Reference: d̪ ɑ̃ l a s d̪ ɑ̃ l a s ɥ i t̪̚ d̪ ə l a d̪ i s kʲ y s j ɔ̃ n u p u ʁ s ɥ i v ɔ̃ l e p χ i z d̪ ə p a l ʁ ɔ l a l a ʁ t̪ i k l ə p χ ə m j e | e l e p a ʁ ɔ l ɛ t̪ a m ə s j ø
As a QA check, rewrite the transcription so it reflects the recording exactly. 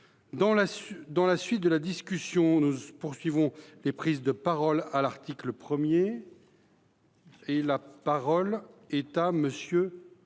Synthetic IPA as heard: d̪ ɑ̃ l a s d̪ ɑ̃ l a s ɥ i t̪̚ d̪ ə l a d̪ i s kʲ y s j ɔ̃ n u p u ʁ s ɥ i v ɔ̃ l e p χ i z d̪ ə p a ʁ ɔ l a l a ʁ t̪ i k l ə p χ ə m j e | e l a p a ʁ ɔ l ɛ t̪ a m ə s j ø